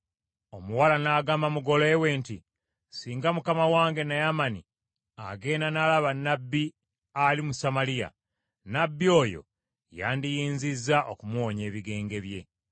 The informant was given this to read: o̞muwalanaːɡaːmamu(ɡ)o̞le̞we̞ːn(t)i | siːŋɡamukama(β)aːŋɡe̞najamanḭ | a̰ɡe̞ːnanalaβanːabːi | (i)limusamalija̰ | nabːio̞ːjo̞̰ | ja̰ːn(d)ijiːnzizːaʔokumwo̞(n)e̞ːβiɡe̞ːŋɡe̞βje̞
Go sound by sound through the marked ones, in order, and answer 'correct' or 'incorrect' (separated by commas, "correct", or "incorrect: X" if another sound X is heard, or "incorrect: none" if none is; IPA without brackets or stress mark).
correct, correct, incorrect: w, incorrect: a, correct, incorrect: ɲ